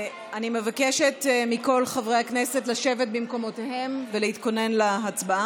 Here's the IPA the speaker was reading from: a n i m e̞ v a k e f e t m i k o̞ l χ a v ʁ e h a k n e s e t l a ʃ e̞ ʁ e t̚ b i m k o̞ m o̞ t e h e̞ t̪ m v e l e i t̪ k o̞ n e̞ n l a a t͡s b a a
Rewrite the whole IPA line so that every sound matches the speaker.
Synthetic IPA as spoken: a n i m e̞ v a k e ʃ e t m i k o̞ l χ a v ʁ e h a k n e s e t l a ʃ e̞ v e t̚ b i m k o̞ m o̞ t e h e̞ m v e l e i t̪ k o̞ n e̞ n l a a t͡s b a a